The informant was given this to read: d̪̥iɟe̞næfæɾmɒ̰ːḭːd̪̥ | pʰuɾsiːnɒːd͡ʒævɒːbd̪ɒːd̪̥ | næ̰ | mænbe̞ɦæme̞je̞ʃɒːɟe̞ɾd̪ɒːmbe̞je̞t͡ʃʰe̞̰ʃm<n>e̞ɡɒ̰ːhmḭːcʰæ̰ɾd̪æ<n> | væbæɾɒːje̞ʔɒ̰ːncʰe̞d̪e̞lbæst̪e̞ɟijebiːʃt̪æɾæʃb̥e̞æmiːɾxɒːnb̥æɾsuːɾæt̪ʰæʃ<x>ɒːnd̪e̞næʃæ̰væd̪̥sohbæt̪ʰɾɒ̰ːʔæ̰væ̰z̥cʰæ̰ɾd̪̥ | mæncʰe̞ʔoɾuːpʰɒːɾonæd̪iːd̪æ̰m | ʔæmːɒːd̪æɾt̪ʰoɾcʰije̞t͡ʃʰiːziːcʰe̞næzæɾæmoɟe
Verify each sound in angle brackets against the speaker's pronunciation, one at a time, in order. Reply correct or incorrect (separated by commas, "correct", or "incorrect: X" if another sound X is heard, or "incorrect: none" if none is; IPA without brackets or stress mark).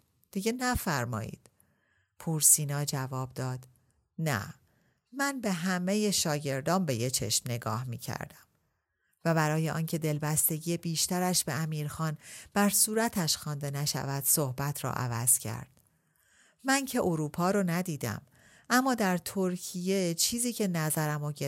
correct, incorrect: m, correct